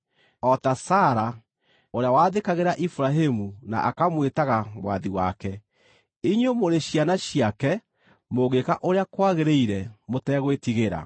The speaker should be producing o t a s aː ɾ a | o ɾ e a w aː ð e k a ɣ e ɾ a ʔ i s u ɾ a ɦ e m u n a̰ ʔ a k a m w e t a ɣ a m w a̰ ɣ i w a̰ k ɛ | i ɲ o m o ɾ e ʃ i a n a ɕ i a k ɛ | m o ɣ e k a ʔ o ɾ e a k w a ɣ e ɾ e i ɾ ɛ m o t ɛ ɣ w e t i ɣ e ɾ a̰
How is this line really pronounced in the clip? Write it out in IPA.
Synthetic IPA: ɔ t a s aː ɾ a | o ɾ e a w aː ð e k a ɣ e ɾ a ʔ i f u ɾ a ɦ e m u n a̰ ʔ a k a m w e t a ɣ a m w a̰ ð i w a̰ k ɛ | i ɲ o m o ɾ e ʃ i a n a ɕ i a k ɛ | m o ɣ e k a ʔ o ɾ e a k w a ɣ e ɾ e i ɾ ɛ m o t ɛ ɣ w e t i ɣ e ɾ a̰